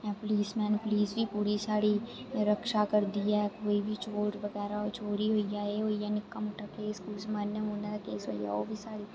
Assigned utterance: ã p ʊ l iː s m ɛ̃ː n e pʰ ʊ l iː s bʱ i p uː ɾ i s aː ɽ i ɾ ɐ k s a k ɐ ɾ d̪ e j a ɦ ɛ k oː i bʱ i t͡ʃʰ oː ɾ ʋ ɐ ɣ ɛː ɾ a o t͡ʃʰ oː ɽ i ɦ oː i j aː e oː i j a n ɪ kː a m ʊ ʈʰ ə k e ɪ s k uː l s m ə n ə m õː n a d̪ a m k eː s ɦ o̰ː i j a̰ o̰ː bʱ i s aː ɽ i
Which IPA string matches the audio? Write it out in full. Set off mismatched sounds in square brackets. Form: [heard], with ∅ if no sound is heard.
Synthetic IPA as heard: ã p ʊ l iː s m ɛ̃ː n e [p] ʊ l iː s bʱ i p uː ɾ i s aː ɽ i ɾ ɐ k [ʃ] a k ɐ ɾ d̪ [i] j a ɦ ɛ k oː i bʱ i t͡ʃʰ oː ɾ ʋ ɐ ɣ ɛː ɾ a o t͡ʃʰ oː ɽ i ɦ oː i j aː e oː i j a n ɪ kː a m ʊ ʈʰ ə k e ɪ s k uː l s m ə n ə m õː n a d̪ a [∅] k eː s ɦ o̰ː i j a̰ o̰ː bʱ i s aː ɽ i